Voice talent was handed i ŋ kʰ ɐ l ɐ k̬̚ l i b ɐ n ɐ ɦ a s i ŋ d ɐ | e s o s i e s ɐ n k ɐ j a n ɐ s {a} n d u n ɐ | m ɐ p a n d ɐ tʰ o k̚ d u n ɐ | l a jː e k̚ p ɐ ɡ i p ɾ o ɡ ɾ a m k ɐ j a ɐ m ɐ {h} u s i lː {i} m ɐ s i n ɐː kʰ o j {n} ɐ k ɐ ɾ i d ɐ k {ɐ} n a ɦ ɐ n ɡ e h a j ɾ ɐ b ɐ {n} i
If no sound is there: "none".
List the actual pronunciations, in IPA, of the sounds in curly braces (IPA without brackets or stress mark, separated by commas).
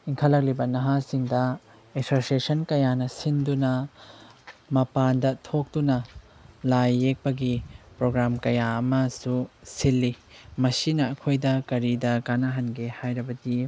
i, s, i, d, a, d